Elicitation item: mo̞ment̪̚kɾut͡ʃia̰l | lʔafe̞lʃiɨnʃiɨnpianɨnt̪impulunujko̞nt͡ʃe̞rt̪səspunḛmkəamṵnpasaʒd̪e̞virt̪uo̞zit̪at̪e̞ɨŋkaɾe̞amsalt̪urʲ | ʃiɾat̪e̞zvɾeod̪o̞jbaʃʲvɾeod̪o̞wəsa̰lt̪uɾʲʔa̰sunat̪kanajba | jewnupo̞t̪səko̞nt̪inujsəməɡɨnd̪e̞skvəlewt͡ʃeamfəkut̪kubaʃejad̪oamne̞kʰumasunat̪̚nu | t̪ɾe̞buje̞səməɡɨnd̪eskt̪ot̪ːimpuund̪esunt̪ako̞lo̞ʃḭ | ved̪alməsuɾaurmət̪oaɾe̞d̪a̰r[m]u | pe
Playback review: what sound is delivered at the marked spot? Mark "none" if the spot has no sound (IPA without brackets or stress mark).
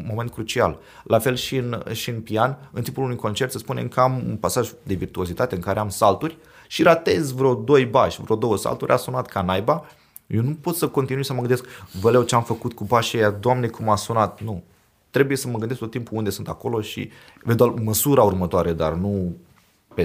n